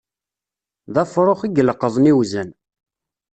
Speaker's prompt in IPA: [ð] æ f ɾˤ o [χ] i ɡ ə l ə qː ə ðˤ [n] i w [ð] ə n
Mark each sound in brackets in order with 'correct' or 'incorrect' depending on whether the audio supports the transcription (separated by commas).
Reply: correct, correct, correct, incorrect